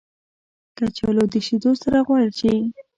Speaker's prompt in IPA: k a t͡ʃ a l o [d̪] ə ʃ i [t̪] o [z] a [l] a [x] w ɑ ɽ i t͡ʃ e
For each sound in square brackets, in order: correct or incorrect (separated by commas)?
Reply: correct, incorrect, incorrect, incorrect, incorrect